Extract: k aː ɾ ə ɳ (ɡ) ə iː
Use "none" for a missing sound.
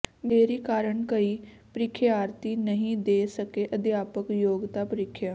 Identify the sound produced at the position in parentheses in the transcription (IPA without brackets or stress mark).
k